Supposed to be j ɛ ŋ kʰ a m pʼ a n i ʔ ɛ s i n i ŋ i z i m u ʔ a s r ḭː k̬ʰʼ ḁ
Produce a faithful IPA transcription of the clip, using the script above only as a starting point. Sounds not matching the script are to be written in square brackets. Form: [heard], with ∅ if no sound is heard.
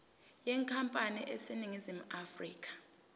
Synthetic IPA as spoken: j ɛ ŋ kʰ a m pʼ a n i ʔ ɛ s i n i ŋ i z i m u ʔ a [f] r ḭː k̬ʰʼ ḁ

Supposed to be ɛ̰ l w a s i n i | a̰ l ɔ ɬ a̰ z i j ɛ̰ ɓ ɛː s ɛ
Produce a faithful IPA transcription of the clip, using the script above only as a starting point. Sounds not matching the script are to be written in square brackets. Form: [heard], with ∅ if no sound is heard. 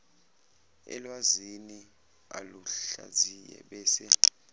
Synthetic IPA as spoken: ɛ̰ l w a [z] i n i | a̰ l [u] ɬ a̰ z i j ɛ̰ ɓ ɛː s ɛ

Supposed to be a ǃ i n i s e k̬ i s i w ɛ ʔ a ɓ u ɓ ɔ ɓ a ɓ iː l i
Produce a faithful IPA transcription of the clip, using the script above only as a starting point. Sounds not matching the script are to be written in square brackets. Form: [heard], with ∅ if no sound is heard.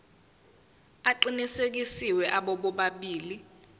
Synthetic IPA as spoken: a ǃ i n i s e k̬ i s i w ɛ ʔ a ɓ [ɔ] ɓ ɔ ɓ a ɓ iː l i

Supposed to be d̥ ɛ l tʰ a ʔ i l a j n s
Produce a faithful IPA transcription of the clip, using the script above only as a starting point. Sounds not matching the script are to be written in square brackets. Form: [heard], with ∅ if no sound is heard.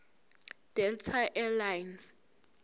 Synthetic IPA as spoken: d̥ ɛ l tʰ a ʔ [ɛ] l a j n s

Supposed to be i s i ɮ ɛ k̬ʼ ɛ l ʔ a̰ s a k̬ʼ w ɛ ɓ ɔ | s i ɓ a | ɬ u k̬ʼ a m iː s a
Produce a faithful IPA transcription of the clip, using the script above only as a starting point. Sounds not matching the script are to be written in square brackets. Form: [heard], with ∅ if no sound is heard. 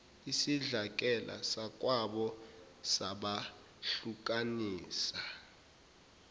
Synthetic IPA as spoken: i s i ɮ [a] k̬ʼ ɛ l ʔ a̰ s a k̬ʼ w [a] ɓ ɔ | s [a] ɓ a | ɬ u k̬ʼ a [n] iː s a

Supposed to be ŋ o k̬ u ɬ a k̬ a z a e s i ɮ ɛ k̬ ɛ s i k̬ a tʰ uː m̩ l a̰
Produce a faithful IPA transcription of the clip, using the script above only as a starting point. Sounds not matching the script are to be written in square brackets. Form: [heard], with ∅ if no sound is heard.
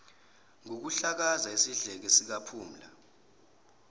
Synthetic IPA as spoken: ŋ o k̬ u ɬ a k̬ a z a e s i ɮ ɛ k̬ ɛ s i k̬ a [pʰ] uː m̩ l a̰

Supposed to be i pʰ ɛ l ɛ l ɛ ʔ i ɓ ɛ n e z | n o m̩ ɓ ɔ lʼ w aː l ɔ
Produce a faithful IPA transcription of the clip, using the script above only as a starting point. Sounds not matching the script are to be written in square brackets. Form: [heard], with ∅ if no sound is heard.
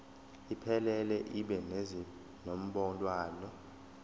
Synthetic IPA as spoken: i pʰ ɛ l ɛ l ɛ ʔ i ɓ ɛ n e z | n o m̩ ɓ ɔ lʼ w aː l ɔ

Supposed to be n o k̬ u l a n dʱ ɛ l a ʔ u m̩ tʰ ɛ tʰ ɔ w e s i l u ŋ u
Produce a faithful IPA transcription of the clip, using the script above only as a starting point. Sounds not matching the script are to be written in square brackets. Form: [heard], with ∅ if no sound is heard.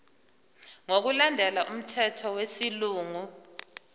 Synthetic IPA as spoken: [ŋ] o k̬ u l a n dʱ ɛ l a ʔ u m̩ tʰ ɛ tʰ ɔ w e s i l [uː] ŋ u

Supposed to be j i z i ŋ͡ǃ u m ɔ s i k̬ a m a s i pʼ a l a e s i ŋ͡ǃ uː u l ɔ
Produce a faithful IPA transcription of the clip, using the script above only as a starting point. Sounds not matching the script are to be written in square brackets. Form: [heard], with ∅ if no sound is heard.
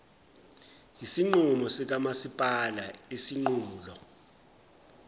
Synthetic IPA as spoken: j i [s] i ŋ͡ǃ u m ɔ s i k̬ a m a s i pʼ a l a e s i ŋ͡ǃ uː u l ɔ

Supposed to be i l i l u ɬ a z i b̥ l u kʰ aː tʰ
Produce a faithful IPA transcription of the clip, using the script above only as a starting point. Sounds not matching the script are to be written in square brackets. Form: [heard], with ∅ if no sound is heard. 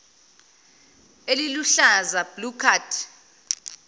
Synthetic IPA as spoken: [e] l i l u ɬ a z [a] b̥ l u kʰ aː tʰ

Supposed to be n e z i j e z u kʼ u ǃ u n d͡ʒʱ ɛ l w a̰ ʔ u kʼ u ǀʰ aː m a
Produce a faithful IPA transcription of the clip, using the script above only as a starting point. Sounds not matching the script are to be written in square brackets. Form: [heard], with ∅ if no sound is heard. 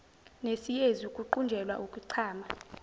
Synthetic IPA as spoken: n e [s] i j e z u kʼ u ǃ u n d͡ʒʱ ɛ l w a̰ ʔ u kʼ u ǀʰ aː m a

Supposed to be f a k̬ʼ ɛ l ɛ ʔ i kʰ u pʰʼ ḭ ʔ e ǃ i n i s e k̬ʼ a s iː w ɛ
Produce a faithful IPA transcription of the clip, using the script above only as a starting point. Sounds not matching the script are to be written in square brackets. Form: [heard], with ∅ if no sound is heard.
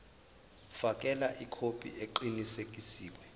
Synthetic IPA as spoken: f a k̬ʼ ɛ l [a] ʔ i kʰ [o] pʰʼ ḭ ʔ e ǃ i n i s e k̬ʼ [i] s iː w ɛ

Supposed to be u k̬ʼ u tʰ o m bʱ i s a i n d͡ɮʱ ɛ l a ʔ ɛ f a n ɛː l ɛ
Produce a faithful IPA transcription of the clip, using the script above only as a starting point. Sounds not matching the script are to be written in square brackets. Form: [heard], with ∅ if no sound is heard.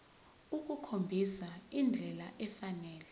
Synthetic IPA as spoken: u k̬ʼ u [kʰ] o m bʱ i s a i n d͡ɮʱ ɛ l a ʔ ɛ f a n ɛː l ɛ

